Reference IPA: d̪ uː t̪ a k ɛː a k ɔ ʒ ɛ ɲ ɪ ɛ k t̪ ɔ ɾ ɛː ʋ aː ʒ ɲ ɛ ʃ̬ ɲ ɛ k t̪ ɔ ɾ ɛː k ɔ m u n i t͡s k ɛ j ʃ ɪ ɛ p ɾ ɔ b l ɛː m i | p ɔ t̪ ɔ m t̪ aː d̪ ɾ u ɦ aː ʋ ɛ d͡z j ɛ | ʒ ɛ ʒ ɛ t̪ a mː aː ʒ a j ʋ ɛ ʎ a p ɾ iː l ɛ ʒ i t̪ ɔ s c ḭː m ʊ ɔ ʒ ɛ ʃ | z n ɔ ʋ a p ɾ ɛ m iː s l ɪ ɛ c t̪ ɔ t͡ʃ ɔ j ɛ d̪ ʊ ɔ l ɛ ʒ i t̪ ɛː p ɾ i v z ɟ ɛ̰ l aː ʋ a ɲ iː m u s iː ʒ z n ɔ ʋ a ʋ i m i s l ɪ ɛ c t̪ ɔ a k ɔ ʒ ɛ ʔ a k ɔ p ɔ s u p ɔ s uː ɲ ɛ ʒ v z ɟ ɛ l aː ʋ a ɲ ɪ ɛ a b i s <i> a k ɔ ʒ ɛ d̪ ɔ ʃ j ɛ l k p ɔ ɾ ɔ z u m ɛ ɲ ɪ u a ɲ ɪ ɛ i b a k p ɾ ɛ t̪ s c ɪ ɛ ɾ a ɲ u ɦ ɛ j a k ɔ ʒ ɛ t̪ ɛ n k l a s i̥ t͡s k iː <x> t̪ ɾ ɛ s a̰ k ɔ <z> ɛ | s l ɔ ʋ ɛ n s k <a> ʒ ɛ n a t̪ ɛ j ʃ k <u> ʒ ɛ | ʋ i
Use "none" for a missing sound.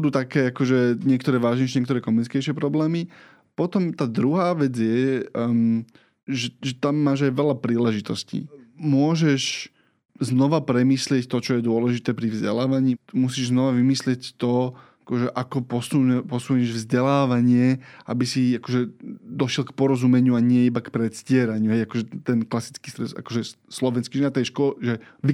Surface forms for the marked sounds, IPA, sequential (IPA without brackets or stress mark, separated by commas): i, s, ʒ, i, ɔ